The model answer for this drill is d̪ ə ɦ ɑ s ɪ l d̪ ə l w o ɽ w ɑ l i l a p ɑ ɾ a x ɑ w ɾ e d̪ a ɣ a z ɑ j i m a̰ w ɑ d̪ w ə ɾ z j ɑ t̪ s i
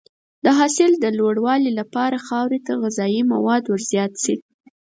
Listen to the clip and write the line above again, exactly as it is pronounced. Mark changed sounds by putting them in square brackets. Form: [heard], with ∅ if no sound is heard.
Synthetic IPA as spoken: d̪ ə ɦ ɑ s ɪ l d̪ ə l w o ɽ w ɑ l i l a p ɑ ɾ a x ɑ w ɾ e [t̪] a ɣ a z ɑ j i m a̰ w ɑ d̪ w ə ɾ z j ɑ t̪ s i